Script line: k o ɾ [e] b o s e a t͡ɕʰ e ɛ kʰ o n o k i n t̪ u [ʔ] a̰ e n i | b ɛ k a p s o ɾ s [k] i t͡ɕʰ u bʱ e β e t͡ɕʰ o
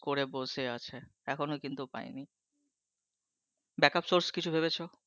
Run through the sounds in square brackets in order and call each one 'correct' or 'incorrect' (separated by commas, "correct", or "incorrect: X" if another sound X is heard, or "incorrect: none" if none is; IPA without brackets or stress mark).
correct, incorrect: p, correct